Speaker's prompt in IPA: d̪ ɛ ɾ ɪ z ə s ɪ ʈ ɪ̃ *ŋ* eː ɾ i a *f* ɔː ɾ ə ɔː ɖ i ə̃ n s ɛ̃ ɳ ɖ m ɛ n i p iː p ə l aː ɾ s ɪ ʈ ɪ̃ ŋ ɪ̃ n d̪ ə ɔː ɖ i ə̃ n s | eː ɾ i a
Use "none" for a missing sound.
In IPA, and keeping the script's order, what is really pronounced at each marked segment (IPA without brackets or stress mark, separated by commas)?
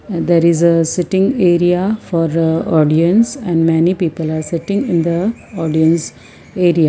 ŋ, f